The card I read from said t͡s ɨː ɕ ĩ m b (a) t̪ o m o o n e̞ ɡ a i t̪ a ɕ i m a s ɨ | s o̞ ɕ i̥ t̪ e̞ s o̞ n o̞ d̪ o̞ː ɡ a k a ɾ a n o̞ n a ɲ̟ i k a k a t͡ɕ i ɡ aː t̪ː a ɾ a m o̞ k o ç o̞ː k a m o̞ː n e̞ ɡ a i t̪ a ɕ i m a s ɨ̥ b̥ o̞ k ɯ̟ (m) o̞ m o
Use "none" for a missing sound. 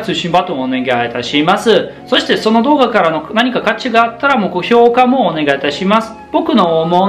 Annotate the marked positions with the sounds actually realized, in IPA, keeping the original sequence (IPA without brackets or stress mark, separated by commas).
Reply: a, n